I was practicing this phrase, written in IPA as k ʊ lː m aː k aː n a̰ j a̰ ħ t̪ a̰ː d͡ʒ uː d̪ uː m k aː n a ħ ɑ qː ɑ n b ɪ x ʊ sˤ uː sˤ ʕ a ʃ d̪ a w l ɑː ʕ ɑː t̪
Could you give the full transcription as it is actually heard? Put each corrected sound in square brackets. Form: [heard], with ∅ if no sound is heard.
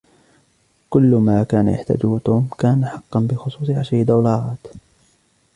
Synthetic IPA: k ʊ lː m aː k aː n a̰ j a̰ ħ t̪ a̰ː d͡ʒ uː [t̪] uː m k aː n a ħ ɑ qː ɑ n b ɪ x ʊ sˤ uː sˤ ʕ a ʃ d̪ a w l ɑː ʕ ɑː t̪